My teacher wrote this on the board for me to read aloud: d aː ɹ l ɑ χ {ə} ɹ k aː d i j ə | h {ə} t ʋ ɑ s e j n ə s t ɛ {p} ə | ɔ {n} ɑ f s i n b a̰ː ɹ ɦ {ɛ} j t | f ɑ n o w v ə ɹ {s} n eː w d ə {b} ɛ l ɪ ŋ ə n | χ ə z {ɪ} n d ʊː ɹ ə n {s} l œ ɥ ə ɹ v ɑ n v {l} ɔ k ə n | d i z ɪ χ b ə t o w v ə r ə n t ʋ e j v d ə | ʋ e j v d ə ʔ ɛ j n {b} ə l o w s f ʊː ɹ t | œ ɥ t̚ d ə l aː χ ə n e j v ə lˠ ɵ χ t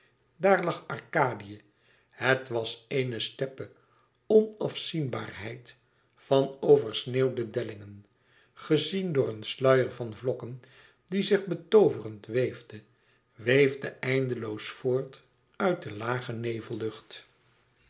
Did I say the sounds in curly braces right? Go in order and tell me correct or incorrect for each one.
incorrect: ɑ, correct, correct, correct, correct, correct, incorrect: d, incorrect: i, correct, correct, incorrect: d

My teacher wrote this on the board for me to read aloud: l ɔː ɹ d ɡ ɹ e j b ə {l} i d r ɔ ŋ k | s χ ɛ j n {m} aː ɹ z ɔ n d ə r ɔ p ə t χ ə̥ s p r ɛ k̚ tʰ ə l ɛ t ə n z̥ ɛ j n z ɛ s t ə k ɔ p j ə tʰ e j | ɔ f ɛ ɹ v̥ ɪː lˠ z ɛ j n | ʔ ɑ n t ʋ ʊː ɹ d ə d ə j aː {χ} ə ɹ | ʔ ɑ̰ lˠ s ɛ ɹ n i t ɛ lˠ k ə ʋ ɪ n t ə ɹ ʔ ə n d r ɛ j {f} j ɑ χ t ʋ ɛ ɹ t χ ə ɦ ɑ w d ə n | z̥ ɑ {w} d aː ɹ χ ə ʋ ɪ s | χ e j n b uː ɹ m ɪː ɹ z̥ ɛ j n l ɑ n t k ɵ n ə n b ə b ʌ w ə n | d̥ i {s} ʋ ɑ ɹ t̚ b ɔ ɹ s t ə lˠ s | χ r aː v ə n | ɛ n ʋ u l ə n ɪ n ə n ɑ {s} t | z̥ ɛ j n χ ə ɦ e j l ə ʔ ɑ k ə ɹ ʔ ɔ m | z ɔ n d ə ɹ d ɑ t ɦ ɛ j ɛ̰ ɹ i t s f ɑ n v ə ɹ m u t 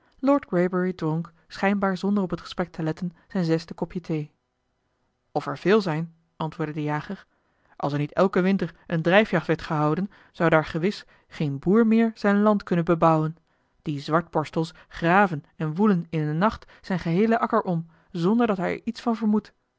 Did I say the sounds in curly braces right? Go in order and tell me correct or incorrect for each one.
incorrect: ɹ, incorrect: b, correct, correct, correct, incorrect: z, incorrect: χ

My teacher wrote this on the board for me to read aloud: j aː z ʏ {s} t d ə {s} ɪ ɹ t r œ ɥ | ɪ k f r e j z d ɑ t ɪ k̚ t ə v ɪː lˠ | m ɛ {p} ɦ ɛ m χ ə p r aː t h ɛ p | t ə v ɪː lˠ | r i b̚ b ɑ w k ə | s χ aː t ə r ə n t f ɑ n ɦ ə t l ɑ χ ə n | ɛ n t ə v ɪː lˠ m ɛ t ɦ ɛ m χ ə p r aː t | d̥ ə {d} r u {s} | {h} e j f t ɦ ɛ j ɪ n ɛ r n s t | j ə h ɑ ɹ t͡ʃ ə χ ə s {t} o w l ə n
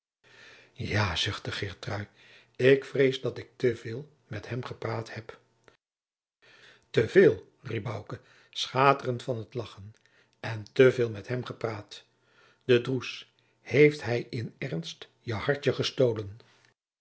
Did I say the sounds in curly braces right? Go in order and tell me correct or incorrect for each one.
incorrect: χ, incorrect: χ, incorrect: t, correct, correct, correct, correct

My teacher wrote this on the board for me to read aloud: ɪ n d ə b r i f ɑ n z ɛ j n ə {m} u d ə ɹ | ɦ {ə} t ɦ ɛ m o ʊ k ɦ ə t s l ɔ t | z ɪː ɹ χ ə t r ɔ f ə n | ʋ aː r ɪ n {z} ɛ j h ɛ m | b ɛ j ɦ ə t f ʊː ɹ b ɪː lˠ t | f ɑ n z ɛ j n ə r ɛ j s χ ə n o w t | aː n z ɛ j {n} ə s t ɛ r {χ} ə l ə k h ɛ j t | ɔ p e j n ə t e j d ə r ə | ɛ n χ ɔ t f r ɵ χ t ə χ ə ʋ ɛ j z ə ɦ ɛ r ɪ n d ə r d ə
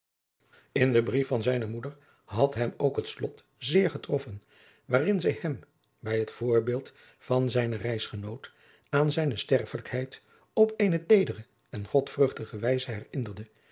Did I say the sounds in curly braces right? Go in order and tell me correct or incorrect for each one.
correct, incorrect: ɑ, correct, correct, incorrect: f

